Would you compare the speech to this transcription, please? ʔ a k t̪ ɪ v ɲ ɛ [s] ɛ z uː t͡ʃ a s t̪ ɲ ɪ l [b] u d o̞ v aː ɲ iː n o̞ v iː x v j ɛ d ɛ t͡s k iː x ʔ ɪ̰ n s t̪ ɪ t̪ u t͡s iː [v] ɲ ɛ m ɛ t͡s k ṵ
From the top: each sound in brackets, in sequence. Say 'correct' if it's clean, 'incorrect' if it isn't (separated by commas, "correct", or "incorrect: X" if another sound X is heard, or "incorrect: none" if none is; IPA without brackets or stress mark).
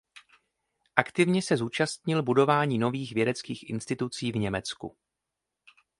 correct, correct, correct